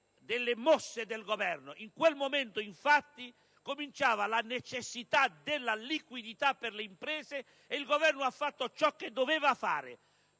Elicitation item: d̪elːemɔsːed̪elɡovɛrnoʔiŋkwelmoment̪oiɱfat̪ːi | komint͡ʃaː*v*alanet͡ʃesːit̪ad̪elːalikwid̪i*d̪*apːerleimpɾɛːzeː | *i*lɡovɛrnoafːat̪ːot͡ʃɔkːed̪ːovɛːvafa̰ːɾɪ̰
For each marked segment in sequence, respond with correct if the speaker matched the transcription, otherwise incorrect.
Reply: correct, incorrect: t̪, correct

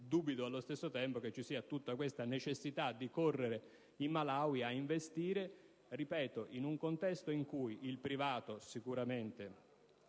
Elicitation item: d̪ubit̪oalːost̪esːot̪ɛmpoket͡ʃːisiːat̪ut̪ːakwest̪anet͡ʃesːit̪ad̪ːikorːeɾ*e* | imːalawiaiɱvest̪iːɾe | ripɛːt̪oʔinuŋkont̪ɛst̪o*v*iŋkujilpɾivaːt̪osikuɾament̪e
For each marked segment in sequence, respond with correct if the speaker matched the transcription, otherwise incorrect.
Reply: correct, incorrect: none

